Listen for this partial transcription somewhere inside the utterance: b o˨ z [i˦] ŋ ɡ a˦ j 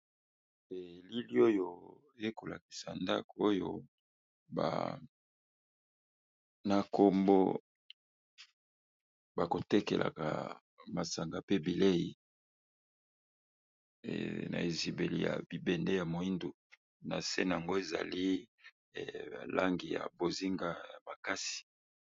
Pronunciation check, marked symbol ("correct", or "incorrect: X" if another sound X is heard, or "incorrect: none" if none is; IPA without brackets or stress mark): correct